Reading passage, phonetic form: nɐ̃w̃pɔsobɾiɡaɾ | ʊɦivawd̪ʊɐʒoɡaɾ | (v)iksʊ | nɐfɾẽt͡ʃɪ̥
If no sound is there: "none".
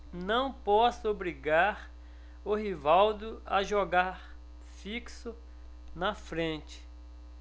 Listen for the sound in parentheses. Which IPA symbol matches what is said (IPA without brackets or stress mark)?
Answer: f